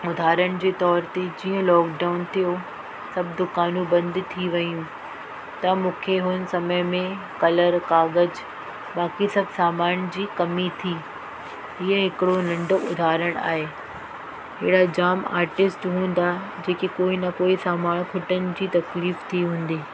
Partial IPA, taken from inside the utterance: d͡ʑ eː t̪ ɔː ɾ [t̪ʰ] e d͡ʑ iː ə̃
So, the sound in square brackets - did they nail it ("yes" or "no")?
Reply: no